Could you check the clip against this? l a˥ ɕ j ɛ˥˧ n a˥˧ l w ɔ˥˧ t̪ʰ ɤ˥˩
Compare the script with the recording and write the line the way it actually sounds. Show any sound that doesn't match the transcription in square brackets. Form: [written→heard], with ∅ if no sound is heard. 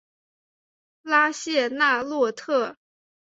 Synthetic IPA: l a˥ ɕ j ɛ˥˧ n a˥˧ l w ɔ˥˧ t̪ʰ ɤ˥˩